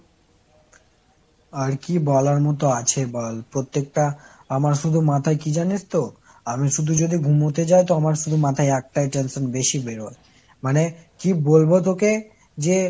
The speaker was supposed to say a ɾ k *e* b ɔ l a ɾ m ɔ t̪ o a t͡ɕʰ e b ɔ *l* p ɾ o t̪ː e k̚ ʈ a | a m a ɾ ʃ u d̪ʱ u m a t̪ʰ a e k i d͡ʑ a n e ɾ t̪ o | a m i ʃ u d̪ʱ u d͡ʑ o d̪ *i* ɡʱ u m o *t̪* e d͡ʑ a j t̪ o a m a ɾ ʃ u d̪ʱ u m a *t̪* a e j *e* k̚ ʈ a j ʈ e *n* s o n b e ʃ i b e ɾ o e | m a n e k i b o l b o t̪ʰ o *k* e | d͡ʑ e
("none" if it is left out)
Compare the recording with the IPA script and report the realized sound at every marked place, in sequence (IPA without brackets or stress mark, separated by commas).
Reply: i, l, i, t̪, t̪ʰ, ɛ, n, k